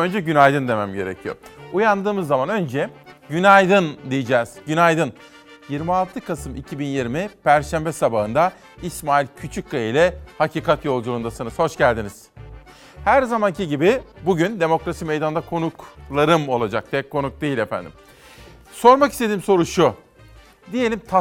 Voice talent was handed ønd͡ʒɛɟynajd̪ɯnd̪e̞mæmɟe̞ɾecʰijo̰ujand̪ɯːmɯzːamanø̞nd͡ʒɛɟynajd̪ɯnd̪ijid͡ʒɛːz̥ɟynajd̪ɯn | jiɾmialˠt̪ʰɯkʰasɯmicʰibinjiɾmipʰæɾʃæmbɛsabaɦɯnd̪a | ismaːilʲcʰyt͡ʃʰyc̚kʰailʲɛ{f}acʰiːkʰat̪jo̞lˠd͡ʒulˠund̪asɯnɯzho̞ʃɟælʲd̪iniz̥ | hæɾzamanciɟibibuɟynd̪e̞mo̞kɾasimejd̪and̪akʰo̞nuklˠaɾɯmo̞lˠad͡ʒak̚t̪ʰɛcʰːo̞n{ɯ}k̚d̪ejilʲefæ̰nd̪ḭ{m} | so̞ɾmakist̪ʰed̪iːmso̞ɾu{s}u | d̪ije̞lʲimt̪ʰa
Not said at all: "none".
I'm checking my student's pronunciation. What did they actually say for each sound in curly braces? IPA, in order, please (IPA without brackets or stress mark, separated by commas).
h, u, m, ʃ